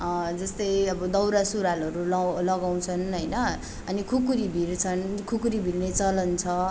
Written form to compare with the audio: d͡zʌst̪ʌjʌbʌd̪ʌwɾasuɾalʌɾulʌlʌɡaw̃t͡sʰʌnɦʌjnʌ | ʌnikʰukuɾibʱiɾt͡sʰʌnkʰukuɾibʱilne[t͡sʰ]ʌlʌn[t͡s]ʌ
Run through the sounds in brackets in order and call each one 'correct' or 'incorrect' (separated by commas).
incorrect, incorrect